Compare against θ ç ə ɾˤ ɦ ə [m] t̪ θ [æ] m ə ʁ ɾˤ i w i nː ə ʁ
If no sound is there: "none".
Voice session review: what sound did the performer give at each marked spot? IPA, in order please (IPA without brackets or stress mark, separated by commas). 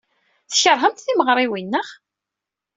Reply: m, i